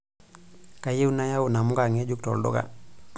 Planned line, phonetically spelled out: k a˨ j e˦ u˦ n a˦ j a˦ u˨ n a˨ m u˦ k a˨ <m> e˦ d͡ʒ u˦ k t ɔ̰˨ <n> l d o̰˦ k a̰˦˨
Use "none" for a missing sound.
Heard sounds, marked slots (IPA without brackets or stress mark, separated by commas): ŋ, none